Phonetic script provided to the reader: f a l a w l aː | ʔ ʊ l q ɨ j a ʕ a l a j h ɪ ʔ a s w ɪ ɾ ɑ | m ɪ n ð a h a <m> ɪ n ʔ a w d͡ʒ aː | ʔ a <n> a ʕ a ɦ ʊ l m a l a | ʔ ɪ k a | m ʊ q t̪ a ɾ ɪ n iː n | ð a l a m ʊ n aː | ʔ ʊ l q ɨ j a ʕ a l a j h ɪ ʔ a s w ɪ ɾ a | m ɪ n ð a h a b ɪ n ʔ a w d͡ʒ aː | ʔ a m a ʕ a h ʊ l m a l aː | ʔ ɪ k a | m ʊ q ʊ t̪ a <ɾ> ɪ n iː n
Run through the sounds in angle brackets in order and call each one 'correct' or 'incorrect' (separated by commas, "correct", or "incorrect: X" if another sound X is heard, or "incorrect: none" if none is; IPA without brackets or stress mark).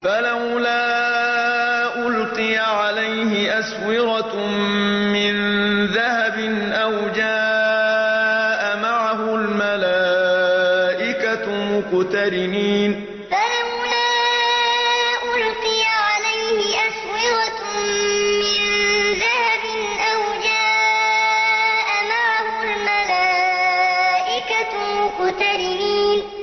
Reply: incorrect: b, incorrect: m, correct